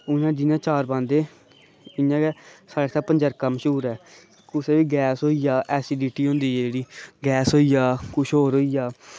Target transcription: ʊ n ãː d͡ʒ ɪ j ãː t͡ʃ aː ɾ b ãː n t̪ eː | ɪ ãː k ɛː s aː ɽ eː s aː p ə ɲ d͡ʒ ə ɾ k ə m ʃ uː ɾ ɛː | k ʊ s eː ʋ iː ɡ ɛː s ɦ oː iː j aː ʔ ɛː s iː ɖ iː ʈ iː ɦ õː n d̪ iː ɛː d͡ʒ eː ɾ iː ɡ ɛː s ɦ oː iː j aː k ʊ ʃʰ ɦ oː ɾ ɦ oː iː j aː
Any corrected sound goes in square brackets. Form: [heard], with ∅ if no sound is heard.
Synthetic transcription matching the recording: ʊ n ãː d͡ʒ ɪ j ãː t͡ʃ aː ɾ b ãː n [d̪] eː | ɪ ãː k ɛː s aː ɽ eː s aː p ə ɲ d͡ʒ ə ɾ k ə m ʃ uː ɾ ɛː | k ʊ s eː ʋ iː ɡ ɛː s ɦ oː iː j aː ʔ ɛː s iː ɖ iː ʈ iː ɦ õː n d̪ iː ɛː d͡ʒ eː [ɽ] iː ɡ ɛː s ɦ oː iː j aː k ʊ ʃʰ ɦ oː ɾ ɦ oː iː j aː